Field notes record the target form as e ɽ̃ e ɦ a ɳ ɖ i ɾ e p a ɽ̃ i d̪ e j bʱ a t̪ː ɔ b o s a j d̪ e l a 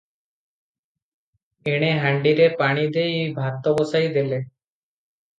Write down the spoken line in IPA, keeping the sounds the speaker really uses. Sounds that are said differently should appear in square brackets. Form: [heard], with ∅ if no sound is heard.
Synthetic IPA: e ɽ̃ e ɦ a ɳ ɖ i ɾ e p a ɽ̃ i d̪ e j bʱ a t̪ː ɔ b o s a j d̪ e l [e]